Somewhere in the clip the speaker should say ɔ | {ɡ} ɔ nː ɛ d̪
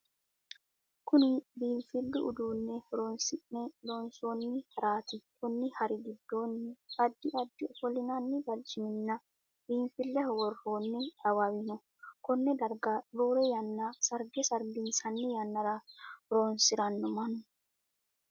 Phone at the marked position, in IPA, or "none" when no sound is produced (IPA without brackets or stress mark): k